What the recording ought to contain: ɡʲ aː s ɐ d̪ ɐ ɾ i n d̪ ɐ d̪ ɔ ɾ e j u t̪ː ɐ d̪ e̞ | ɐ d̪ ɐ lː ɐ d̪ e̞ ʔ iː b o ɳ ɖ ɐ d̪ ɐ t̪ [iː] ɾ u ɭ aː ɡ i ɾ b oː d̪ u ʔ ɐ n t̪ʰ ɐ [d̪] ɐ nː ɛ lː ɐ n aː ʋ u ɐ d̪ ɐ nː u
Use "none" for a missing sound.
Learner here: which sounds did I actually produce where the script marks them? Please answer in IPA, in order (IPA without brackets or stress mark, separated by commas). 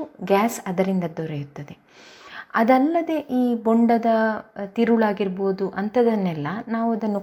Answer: i, d̪